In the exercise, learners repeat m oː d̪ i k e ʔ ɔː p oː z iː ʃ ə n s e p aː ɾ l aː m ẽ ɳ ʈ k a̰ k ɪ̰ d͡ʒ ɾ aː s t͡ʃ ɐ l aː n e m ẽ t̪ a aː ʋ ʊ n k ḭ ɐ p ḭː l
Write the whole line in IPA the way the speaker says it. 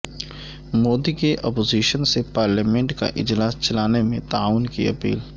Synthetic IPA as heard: m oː d̪ i k e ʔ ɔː p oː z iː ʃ ə n s e p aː ɾ l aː m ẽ ɳ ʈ k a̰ ʔ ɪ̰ d͡ʒ l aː s t͡ʃ ɐ l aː n e m ẽ t̪ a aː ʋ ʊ n k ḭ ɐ p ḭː l